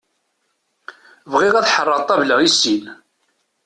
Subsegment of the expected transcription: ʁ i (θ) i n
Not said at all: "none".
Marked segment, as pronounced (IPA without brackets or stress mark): s